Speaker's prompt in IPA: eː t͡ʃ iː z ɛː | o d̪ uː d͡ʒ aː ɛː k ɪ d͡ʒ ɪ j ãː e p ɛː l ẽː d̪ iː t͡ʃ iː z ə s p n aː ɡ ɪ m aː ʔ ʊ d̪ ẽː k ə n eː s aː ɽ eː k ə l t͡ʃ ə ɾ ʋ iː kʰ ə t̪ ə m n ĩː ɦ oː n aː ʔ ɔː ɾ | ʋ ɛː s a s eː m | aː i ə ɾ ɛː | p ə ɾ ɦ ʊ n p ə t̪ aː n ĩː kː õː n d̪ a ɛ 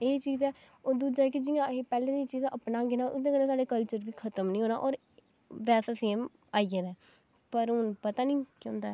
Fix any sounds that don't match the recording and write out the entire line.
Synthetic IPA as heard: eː t͡ʃ iː z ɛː | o d̪ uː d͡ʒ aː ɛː k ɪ d͡ʒ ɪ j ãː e p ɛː l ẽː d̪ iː t͡ʃ iː z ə p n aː ɡ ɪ n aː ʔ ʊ d̪ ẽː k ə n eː s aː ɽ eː k ə l t͡ʃ ə ɾ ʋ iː kʰ ə t̪ ə m n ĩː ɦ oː n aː ʔ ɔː ɾ | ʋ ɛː s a s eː m | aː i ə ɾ ɛː | p ə ɾ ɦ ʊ n p ə t̪ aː n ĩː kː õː n d̪ a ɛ